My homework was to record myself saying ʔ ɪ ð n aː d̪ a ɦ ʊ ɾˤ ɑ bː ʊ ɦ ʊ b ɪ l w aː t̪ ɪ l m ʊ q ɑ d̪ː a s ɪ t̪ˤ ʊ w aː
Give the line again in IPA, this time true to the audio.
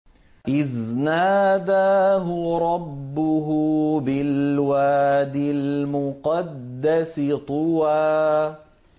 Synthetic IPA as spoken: ʔ ɪ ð n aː d̪ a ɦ ʊ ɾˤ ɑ bː ʊ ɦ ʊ b ɪ l w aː d̪ ɪ l m ʊ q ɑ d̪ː a s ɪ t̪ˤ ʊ w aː